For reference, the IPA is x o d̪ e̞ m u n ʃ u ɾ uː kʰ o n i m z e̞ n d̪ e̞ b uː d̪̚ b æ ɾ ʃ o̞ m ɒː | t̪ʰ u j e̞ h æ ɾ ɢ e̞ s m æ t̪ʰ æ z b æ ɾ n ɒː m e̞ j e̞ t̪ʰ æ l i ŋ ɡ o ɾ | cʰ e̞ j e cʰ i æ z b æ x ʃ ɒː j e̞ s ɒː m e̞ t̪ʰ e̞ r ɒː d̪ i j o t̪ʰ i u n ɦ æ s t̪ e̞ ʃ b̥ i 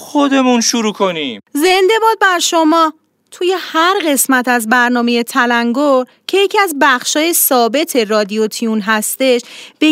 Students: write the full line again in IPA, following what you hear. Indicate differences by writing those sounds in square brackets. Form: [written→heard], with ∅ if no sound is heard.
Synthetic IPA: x o d̪ e̞ m u n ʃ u ɾ uː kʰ o n i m z e̞ n d̪ e̞ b [uː→ɒː] d̪̚ b æ ɾ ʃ o̞ m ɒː | t̪ʰ u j e̞ h æ ɾ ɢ e̞ s m æ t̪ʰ æ z b æ ɾ n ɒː m e̞ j e̞ t̪ʰ æ l [i→æ] ŋ ɡ o ɾ | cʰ e̞ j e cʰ i æ z b æ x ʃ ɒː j e̞ s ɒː [m→b] e̞ t̪ʰ e̞ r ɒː d̪ i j o t̪ʰ i u n ɦ æ s t̪ e̞ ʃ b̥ [i→e]